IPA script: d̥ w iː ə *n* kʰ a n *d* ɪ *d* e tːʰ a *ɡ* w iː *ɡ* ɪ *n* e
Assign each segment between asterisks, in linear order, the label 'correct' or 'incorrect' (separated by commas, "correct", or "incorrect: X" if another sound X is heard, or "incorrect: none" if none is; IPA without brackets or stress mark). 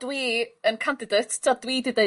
correct, correct, correct, incorrect: d, incorrect: d, incorrect: d